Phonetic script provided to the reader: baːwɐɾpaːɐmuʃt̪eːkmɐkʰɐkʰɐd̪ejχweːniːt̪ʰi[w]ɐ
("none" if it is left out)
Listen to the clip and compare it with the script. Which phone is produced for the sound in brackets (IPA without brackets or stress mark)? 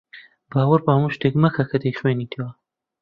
w